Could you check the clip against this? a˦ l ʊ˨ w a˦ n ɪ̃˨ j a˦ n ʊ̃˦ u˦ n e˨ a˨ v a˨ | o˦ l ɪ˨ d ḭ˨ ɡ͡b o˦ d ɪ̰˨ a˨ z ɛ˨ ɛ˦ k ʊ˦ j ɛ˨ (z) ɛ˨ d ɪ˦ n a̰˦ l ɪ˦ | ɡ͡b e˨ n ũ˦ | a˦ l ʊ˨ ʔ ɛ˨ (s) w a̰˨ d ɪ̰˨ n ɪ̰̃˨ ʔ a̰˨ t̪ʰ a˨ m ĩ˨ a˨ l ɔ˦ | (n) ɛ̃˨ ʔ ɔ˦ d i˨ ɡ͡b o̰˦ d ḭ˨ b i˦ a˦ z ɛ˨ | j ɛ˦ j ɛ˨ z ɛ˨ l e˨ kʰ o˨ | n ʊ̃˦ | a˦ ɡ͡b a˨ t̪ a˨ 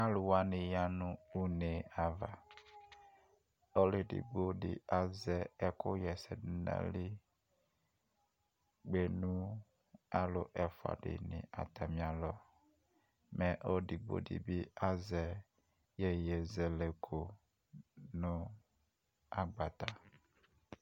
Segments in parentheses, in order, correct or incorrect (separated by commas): incorrect, incorrect, incorrect